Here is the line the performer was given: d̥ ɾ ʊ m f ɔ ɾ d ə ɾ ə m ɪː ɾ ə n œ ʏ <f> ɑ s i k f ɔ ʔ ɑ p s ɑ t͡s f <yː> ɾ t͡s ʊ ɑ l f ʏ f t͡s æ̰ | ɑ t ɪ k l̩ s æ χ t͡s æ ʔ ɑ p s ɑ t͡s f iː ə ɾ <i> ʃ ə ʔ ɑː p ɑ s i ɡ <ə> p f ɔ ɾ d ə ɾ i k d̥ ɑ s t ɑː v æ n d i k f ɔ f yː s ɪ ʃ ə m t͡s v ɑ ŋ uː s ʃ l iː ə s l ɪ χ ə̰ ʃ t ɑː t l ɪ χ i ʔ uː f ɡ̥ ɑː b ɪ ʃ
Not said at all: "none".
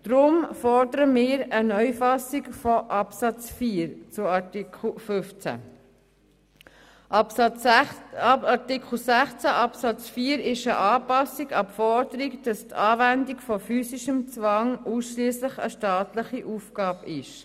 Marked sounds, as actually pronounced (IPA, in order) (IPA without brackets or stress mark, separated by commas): f, iː, ɪ, ɑ